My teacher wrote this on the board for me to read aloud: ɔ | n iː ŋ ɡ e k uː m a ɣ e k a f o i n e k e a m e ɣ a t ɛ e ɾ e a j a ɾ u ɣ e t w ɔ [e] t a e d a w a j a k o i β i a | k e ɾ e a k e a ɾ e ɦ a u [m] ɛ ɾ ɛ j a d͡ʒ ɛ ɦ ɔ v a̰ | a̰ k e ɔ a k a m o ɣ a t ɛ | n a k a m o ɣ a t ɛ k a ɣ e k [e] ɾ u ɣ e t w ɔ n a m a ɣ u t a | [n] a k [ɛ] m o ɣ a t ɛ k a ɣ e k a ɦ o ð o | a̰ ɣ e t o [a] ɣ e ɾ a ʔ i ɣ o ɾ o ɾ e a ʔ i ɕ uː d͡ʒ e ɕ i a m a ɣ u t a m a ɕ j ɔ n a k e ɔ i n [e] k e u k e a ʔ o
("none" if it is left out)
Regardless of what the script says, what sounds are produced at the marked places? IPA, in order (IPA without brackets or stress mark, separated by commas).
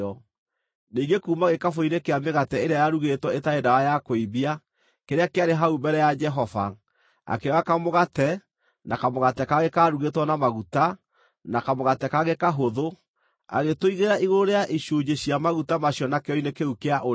e, b, a, n, a, i, e